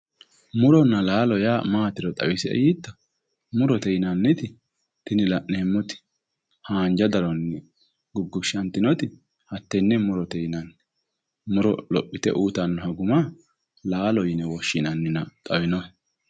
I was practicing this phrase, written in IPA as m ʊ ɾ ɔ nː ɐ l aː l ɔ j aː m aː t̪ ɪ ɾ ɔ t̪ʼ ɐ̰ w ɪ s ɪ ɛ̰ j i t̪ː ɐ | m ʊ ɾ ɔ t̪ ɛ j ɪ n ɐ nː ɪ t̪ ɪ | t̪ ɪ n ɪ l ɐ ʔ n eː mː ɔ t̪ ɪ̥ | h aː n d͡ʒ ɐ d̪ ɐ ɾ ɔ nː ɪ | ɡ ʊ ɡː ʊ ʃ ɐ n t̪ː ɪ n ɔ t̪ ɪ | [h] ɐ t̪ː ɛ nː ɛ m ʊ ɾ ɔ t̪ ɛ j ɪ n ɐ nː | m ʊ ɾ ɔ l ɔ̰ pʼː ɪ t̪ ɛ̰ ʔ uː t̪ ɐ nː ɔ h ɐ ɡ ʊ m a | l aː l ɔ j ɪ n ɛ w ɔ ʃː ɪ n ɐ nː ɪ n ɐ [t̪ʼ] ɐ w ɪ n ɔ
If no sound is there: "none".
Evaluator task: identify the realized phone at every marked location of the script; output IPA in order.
h, t̪ʼ

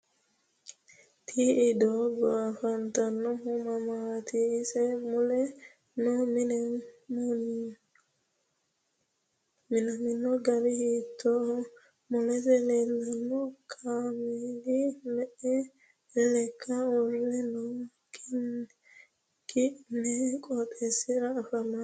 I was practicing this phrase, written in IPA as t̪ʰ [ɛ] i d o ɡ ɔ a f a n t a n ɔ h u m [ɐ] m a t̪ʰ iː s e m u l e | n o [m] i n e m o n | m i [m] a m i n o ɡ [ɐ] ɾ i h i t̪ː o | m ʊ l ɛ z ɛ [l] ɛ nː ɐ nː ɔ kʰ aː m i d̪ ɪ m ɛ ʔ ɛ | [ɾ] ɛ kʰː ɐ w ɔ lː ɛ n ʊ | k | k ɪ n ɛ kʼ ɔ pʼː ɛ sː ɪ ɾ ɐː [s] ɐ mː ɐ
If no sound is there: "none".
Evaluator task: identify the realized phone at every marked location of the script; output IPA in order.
i, a, m, n, a, l, l, f

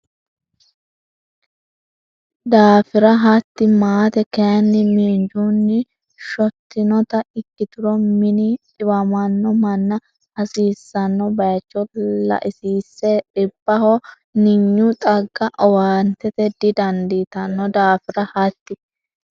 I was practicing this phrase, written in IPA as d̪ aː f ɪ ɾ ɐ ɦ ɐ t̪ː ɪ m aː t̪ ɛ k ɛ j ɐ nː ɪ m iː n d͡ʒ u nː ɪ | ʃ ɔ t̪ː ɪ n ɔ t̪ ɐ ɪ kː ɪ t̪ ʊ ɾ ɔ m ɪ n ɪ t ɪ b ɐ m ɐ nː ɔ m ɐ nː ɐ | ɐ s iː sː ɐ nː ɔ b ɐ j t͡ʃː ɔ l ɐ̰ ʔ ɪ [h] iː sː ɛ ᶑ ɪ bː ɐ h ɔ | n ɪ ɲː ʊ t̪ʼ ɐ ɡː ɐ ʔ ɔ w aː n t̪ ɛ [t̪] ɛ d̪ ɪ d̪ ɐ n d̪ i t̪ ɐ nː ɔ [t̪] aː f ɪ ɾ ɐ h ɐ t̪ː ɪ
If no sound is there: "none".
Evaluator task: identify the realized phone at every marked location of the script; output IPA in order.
s, t̪, d̪

